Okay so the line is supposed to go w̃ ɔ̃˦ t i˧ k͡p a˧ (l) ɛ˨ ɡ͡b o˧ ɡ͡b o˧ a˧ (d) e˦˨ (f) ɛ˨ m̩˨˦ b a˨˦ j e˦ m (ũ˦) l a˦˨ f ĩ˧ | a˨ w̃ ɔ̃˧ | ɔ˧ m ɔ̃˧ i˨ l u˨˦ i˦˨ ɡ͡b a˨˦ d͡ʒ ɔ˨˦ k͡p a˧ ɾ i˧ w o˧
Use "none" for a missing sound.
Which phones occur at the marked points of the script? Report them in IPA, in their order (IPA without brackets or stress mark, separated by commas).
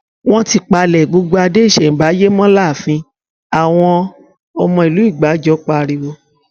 l, d, ʃ, ɔ̃˦